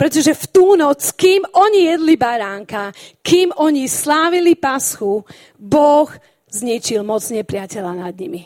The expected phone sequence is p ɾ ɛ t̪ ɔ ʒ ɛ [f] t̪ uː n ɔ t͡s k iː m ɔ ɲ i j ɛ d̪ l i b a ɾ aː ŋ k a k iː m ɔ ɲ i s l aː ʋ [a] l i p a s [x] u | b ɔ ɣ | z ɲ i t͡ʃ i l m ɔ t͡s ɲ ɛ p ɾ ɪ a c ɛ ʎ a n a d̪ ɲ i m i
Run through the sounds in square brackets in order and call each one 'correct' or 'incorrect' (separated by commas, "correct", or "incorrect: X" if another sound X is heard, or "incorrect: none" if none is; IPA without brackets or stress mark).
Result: correct, incorrect: i, correct